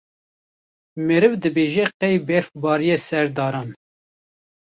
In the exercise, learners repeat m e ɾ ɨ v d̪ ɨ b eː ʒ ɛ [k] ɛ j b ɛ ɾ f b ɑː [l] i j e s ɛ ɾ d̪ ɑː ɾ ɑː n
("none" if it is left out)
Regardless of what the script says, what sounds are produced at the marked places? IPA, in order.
q, ɾ

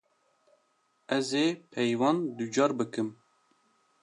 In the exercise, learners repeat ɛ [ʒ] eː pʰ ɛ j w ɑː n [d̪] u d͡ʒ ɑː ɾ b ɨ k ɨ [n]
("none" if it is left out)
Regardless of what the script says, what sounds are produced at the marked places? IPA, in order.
z, d̪, m

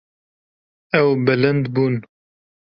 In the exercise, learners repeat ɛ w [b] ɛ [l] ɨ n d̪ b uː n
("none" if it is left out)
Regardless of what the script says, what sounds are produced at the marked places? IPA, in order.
b, l

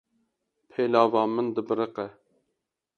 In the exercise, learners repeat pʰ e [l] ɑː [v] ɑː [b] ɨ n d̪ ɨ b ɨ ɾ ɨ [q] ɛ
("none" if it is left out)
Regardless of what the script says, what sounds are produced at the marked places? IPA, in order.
l, v, m, q

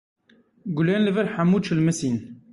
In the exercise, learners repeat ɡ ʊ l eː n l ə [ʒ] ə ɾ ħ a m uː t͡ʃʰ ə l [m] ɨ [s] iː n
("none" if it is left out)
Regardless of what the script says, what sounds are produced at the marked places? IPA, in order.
v, m, s

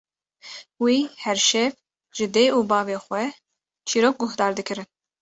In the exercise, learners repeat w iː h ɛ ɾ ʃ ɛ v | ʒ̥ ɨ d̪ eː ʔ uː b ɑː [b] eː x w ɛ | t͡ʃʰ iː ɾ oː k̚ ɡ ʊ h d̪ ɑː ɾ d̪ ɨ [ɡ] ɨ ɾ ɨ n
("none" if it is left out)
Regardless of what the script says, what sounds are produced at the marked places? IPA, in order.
v, k

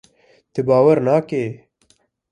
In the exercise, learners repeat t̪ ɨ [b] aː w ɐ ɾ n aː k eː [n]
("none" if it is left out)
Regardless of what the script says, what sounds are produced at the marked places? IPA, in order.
b, none

